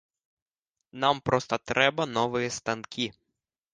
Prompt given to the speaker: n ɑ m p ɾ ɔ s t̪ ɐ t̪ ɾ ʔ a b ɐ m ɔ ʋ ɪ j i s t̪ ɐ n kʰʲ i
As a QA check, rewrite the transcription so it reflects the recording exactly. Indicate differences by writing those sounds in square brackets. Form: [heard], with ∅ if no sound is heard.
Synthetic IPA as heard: n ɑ m p ɾ ɔ s t̪ ɐ t̪ ɾ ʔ [ɛ] b ɐ [n] ɔ ʋ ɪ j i s t̪ ɐ n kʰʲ i